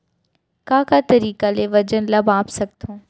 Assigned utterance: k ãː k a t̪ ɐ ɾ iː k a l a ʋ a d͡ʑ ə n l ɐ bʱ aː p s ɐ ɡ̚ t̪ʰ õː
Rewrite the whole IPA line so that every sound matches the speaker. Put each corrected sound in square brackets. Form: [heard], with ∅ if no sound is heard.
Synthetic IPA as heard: k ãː k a t̪ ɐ ɾ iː k a l [e] ʋ [ɐ] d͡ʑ ə n l ɐ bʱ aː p s ɐ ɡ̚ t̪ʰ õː